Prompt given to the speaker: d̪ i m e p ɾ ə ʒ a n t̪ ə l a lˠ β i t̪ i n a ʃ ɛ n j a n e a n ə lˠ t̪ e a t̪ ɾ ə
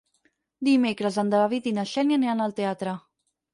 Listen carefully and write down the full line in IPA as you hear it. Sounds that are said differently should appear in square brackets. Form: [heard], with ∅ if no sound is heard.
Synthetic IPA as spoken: d̪ i m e [k] ɾ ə [z] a n [d̪] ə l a [∅] β i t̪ i n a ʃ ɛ n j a n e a n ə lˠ t̪ e a t̪ ɾ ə